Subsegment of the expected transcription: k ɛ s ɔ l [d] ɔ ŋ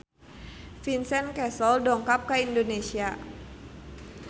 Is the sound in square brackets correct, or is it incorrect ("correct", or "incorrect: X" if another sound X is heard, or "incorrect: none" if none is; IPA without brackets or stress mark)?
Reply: correct